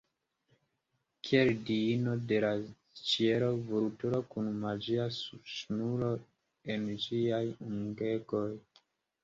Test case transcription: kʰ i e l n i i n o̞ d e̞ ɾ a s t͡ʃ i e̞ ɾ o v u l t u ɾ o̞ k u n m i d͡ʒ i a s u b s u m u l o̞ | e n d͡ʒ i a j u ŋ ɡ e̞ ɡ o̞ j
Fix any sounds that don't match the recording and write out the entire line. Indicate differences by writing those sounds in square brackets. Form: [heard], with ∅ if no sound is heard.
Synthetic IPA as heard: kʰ i e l [d] i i n o̞ d e̞ [l] a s t͡ʃ i e̞ ɾ o v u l t u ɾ o̞ k u n m [a] d͡ʒ i a s u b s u [n] u l o̞ | e n d͡ʒ i a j u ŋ ɡ e̞ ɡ o̞ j